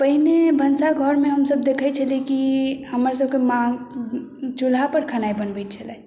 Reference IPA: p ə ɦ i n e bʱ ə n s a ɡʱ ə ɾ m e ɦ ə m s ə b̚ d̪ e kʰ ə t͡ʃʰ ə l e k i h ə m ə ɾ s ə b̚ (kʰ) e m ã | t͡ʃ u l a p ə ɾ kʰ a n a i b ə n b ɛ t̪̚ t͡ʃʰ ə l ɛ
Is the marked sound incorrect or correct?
incorrect